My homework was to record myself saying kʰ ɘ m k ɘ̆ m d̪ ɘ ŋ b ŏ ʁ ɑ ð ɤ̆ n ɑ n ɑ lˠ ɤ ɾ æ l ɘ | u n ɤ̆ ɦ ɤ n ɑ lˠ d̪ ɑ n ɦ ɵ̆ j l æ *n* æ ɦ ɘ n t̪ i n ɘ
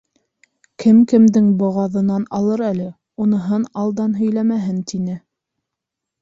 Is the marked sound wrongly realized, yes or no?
yes